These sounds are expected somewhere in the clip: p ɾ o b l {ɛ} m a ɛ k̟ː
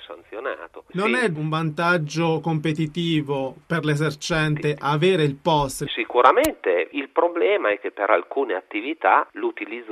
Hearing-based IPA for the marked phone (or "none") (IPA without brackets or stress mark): ɛː